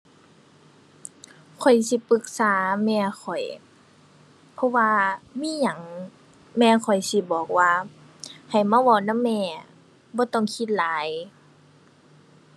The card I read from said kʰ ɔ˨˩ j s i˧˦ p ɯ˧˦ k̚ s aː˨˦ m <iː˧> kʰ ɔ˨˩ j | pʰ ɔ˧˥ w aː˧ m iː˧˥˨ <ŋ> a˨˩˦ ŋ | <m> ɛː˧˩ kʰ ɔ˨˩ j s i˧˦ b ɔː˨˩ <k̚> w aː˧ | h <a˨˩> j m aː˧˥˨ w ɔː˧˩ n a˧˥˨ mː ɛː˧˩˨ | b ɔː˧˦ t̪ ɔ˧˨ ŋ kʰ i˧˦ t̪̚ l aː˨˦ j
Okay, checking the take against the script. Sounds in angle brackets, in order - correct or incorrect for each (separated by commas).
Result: incorrect, incorrect, correct, correct, correct